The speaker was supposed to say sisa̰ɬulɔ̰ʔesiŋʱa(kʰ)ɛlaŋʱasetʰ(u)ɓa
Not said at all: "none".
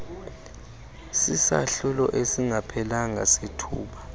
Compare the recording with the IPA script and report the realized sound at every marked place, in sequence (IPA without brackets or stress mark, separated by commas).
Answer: pʰ, uː